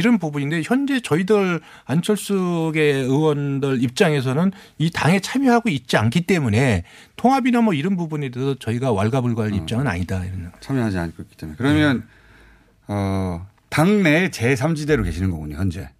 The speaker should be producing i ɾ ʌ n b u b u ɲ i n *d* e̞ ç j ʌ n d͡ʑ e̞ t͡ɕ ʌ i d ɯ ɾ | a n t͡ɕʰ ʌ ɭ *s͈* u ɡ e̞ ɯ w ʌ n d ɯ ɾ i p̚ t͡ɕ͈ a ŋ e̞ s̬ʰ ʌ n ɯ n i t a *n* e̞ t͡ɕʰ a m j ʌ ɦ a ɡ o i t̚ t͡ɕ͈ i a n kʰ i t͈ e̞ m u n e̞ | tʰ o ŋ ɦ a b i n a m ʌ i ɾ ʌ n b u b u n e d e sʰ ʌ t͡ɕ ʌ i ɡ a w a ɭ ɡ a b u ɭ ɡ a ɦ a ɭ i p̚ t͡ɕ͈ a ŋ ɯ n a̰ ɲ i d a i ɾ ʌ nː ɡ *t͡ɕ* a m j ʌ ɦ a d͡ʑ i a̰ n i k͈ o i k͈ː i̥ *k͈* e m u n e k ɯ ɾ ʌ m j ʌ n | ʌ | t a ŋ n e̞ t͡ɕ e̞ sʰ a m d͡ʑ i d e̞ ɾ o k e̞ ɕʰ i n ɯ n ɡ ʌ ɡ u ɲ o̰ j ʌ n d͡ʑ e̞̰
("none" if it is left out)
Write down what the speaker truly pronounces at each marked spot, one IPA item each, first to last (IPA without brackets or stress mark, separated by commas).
d, s͈, ŋ, t͡ɕʰ, t͈